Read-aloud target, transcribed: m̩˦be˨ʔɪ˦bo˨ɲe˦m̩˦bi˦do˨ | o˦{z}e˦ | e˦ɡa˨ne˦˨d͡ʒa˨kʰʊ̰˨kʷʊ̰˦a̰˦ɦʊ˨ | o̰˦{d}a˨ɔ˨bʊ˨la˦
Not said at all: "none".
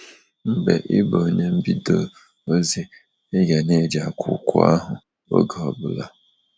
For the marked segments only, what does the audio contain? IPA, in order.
z, ɡ

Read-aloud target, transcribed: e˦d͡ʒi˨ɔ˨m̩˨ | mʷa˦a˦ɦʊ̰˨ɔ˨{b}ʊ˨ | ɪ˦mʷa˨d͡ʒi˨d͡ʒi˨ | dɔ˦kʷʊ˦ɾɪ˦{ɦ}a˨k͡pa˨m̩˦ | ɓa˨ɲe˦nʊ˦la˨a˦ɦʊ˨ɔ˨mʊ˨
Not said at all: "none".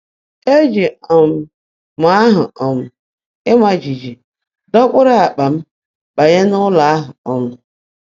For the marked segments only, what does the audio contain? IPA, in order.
m, none

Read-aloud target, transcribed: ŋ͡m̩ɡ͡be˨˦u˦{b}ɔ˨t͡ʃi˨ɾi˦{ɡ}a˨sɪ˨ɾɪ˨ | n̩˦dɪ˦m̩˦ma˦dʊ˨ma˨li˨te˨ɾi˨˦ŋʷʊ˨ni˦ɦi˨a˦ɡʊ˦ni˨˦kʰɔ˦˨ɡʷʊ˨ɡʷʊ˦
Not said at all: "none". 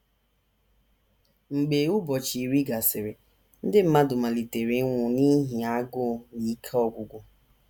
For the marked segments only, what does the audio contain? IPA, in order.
b, ɡ

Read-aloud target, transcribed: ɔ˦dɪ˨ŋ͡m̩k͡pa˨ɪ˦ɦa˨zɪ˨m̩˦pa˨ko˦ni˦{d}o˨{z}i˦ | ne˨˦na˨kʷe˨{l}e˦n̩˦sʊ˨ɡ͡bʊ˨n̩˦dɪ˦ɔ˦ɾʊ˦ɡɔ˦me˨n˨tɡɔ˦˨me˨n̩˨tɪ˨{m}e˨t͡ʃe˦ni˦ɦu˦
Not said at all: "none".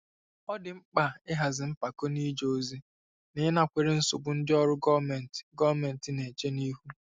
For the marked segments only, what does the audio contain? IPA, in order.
d͡ʒ, z, ɾ, n

